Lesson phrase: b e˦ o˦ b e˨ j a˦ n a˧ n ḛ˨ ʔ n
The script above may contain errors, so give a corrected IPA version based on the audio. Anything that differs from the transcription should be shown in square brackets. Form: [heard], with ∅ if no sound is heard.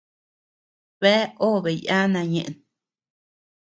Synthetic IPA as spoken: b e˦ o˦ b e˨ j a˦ n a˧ [ɲ] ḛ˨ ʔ n